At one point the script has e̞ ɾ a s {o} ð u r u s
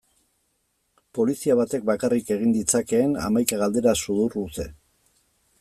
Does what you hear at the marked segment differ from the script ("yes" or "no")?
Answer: yes